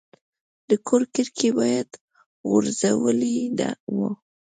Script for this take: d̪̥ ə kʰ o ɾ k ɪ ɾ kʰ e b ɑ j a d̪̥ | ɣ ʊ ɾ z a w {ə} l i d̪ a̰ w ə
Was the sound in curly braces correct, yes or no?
yes